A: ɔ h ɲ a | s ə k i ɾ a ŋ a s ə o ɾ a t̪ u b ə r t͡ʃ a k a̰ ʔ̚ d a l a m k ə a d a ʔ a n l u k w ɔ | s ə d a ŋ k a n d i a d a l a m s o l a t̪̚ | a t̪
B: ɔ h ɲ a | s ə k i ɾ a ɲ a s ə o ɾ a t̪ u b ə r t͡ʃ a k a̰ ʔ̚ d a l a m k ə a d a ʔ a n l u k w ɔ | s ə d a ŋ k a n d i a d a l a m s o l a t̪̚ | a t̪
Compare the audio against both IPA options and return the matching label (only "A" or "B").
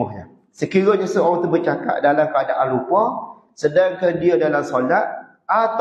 B